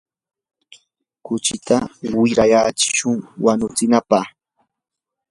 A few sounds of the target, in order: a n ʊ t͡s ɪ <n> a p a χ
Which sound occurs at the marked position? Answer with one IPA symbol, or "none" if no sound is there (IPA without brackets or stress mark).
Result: n